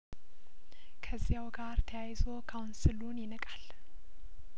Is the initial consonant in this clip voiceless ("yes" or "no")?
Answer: yes